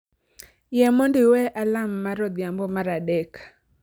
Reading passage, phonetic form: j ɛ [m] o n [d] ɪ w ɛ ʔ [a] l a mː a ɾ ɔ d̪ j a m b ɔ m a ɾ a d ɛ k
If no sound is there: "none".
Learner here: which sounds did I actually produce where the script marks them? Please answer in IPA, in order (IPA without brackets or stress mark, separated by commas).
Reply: m, d, a